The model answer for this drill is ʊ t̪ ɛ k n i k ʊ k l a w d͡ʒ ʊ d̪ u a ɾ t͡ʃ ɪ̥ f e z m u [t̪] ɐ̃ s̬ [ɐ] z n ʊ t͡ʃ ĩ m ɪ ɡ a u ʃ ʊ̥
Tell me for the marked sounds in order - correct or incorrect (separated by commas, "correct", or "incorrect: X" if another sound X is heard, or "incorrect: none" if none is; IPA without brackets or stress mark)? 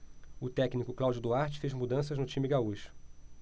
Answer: incorrect: d̪, correct